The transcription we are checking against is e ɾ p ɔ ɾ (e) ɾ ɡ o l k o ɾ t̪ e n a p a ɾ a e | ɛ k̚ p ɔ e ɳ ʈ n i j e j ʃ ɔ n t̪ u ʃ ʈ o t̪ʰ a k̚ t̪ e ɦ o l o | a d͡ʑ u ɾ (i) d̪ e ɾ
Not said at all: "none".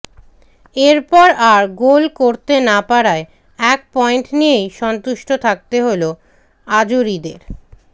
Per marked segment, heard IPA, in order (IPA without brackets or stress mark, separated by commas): a, i